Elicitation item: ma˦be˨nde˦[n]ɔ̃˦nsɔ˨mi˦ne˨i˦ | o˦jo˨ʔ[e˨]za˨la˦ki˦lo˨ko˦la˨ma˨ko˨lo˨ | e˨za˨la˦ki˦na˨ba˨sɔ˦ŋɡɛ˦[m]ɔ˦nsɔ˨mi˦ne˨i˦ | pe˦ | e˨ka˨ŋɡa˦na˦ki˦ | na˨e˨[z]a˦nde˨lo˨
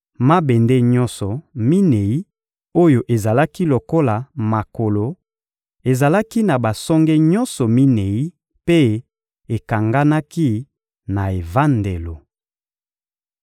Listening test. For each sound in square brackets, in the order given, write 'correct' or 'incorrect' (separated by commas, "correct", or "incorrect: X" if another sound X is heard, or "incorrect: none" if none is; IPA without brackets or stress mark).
incorrect: ɲ, correct, incorrect: ɲ, incorrect: v